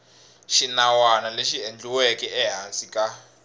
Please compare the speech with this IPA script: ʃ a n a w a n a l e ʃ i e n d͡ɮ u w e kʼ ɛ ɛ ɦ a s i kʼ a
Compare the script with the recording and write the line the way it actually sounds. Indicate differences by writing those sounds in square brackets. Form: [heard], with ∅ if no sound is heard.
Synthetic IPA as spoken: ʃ [i] n a w a n a l e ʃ i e n d͡ɮ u w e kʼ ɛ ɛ ɦ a s i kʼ a